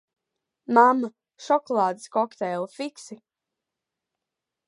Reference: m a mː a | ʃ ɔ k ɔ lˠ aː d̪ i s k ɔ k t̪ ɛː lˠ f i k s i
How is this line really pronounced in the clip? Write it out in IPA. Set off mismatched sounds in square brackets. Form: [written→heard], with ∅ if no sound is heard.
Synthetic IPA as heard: m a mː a | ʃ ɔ k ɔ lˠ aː d̪ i s k ɔ k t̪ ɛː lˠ f i k s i